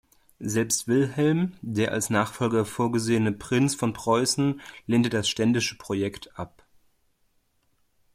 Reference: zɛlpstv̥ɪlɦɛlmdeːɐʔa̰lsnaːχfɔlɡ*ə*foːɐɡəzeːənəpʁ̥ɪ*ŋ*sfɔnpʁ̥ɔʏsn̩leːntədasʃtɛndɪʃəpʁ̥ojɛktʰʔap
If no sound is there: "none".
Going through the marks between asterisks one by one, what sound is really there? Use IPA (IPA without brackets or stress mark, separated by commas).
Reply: ɐ, n